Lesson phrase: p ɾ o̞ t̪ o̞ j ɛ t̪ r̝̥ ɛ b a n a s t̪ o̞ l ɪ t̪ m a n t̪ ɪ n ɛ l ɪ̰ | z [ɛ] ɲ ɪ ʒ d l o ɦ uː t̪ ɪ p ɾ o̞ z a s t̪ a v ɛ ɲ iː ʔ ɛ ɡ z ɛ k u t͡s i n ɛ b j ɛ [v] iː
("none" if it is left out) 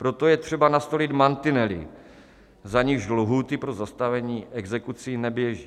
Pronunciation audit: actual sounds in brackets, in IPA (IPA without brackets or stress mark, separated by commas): a, ʒ